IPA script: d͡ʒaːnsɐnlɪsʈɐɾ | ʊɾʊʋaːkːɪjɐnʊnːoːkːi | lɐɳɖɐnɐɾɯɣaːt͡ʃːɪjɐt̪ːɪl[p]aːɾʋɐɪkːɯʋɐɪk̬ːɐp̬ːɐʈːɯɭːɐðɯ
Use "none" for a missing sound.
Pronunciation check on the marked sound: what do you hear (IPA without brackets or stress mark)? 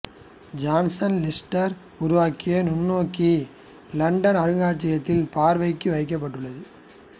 p